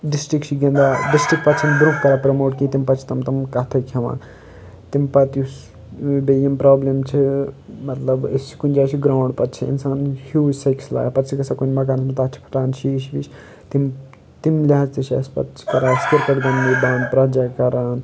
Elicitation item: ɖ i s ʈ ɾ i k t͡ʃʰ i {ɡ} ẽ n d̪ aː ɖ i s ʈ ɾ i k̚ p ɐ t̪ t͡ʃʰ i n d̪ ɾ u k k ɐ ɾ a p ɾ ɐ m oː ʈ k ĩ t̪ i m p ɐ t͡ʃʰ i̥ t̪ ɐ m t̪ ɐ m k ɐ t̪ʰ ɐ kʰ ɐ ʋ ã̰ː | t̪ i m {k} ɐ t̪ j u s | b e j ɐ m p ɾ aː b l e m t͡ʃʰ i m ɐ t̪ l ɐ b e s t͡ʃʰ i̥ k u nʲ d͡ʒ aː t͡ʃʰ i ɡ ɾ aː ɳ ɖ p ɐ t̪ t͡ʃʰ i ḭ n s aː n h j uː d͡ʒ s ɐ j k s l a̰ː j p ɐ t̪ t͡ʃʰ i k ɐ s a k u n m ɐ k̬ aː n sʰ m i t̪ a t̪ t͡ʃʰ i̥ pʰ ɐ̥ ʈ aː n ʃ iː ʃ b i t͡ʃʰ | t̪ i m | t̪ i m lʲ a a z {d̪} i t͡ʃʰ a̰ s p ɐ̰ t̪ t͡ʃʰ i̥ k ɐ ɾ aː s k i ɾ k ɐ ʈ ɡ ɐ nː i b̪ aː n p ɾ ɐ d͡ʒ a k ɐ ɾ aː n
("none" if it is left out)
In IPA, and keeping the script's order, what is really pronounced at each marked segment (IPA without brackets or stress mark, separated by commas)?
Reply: ɡ, p, t̪